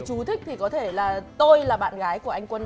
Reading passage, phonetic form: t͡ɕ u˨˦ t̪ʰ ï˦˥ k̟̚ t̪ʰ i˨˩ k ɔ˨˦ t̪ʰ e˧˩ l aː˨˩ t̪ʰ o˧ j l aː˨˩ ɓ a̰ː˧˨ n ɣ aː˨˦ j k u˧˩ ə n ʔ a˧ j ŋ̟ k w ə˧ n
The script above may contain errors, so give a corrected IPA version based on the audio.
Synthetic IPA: t͡ɕ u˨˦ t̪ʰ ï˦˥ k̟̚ t̪ʰ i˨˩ k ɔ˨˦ t̪ʰ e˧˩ l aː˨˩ t̪ o˧ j l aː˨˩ ɓ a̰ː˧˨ n ɣ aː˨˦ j k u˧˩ ə ʔ a˧ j ŋ̟ k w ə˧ n